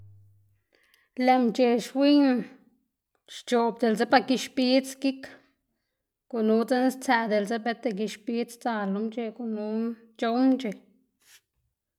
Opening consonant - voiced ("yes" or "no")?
yes